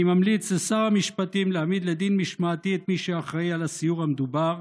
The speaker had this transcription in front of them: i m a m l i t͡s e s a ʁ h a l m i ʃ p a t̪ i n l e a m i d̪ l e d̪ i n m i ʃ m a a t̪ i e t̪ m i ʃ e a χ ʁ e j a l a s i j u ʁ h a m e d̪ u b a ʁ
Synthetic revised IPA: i m a m l i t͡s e s a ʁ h a m i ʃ p a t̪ i m l e a m i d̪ l e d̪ i n m i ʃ m a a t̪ i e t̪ m i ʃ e a χ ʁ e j a l a s i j u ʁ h a m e d̪ u b a ʁ